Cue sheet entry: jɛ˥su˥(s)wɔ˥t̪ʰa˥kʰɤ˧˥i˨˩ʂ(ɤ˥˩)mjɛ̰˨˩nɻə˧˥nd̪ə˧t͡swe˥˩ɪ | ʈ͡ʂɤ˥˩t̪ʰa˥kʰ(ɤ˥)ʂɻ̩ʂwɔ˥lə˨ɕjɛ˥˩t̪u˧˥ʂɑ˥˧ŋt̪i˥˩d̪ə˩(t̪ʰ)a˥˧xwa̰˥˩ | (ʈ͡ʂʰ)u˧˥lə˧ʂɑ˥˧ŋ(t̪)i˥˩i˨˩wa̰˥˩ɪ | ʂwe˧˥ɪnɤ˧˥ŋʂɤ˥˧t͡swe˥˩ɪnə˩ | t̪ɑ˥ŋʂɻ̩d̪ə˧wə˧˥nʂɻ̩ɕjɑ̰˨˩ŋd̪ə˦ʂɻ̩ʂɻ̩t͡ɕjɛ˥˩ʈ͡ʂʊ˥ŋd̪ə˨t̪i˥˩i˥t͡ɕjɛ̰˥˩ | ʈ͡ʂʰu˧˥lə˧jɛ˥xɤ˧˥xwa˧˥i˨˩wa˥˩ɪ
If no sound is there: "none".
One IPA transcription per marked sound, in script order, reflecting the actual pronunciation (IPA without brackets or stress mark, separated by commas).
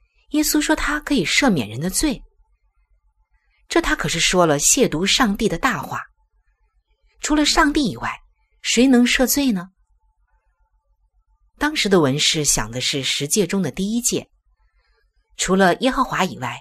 ʂ, ɤ˥˩, ɤ˨˩, t̪, ʈ͡ʂʰ, t̪